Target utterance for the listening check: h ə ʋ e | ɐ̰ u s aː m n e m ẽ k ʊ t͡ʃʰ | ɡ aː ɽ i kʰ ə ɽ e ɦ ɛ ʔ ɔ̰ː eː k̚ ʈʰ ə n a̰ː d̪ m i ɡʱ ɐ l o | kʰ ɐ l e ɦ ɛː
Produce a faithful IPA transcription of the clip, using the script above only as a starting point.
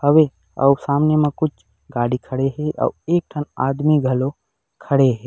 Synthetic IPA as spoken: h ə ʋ e | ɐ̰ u s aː m n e m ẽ k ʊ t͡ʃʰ | ɡ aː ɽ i kʰ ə ɽ e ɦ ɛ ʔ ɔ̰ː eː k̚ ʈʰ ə n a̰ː d̪ m i ɡʱ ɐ l o | kʰ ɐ ɽ e ɦ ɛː